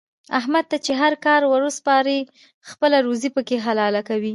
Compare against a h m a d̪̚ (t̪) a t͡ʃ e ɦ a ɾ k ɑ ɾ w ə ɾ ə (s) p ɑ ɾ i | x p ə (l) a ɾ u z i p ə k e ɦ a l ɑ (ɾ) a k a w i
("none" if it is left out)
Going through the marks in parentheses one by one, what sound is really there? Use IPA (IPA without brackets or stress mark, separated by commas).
t̪, s, l, l